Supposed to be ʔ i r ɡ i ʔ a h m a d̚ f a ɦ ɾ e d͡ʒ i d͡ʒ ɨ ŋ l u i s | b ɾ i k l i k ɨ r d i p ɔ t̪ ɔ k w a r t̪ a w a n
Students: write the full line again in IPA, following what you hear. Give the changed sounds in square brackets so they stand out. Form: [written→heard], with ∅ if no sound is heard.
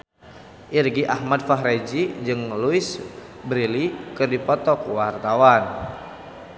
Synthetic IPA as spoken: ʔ i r ɡ i ʔ a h m a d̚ f a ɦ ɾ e d͡ʒ i d͡ʒ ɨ ŋ l u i s | b ɾ i [k→∅] l i k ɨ r d i p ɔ t̪ ɔ k w a r t̪ a w a n